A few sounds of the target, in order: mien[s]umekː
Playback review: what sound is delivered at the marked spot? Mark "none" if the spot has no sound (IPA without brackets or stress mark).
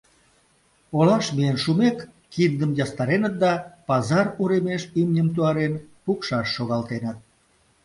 ʃ